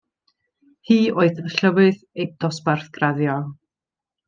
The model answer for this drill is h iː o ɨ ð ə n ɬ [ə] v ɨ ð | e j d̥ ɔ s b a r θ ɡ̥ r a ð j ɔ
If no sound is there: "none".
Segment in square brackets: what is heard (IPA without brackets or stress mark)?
ə